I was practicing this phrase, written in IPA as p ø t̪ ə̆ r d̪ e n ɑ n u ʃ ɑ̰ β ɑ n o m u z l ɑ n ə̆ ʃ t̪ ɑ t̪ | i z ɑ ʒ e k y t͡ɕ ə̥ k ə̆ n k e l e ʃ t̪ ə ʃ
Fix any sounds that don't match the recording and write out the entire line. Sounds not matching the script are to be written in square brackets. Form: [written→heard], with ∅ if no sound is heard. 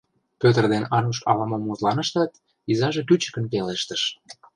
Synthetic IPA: p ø t̪ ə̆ r d̪ e n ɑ n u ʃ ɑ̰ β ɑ [n→m] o m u z l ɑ n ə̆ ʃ t̪ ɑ t̪ | i z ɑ ʒ e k y t͡ɕ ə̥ k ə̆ n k e l e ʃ t̪ ə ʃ

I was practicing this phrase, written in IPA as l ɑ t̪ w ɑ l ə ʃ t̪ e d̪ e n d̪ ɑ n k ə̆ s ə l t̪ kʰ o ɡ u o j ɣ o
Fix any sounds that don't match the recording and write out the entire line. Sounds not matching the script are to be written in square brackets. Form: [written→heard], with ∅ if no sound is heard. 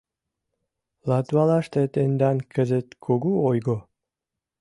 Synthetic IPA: l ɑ t̪ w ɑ l [ə→ɑ] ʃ t̪ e [d̪→t̪] e n d̪ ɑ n k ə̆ [s→z] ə [l→∅] t̪ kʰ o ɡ u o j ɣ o

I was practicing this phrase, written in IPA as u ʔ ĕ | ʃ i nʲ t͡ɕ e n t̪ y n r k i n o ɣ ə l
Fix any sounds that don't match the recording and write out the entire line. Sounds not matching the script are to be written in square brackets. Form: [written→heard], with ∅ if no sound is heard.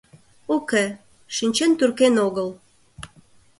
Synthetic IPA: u [ʔ→k] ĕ | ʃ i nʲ t͡ɕ e n t̪ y [n→∅] r k [i→e] n o ɣ ə l

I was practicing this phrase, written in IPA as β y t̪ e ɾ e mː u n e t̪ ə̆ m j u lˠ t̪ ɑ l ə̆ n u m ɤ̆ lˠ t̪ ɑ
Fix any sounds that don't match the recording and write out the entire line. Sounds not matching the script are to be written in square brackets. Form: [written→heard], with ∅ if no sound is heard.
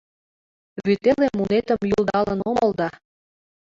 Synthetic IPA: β y t̪ e [ɾ→l] e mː u n e t̪ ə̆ m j u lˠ [t̪→d̪] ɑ l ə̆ n [u→o] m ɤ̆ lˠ [t̪→d̪] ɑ

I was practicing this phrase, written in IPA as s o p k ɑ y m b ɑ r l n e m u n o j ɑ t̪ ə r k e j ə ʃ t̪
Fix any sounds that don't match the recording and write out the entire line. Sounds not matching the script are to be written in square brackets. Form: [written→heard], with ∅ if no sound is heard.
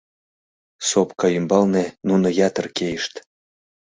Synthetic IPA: s o p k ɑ y m b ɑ [r→∅] l n e [m→n] u n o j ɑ t̪ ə r k e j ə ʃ t̪

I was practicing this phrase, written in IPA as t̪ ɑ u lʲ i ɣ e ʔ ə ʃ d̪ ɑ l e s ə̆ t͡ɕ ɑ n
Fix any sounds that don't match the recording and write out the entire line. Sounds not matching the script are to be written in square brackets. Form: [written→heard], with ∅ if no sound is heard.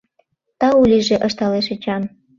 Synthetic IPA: t̪ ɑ u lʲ i [ɣ→ʒ] e ʔ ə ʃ [d̪→t̪] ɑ l e [s→ʃ] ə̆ t͡ɕ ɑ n

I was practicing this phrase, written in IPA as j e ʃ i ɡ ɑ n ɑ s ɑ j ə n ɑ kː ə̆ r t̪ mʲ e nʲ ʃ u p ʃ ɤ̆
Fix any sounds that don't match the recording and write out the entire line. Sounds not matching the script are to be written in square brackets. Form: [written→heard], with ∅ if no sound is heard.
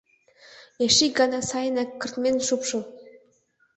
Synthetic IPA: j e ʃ i ɡ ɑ n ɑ s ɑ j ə n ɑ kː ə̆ r t̪ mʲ e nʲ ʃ u p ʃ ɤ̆

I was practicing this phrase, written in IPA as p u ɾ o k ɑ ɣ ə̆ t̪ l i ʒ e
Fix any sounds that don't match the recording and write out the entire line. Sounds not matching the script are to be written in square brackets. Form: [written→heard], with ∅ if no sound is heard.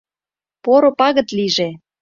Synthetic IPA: p [u→o] ɾ o [k→p] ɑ ɣ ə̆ t̪ l i ʒ e

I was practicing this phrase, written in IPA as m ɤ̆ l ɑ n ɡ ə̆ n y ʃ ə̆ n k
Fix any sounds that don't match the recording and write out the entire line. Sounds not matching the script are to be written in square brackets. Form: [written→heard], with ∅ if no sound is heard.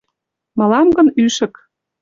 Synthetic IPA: m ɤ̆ l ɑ [n→m] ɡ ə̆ n y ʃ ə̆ [n→∅] k

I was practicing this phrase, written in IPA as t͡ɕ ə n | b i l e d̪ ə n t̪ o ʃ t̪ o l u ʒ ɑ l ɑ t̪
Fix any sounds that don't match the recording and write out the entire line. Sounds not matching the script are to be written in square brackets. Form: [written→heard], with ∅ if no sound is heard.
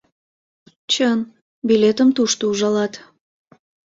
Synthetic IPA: t͡ɕ ə n | b i l e [d̪→t̪] ə [n→m] t̪ [o→u] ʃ t̪ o [l→∅] u ʒ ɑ l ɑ t̪

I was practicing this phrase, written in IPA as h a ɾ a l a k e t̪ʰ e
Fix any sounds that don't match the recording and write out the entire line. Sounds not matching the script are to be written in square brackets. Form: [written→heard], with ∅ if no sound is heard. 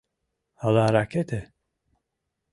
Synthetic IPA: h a [ɾ→l] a [l→ɾ] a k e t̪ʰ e

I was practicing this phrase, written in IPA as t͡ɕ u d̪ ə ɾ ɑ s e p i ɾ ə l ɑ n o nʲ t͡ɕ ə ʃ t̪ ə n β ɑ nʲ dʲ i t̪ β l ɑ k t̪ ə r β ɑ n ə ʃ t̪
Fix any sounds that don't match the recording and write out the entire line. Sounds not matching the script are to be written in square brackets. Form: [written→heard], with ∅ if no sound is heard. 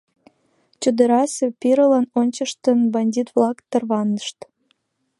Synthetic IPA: t͡ɕ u d̪ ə ɾ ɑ s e p i ɾ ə l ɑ n o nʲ t͡ɕ ə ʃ t̪ ə n [β→b] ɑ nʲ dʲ i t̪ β l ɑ k t̪ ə r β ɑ n ə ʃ t̪

